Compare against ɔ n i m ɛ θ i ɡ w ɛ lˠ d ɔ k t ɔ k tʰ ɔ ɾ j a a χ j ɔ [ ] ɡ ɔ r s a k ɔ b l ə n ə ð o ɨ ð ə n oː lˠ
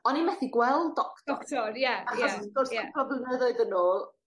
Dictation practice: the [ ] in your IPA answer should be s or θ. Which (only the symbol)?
s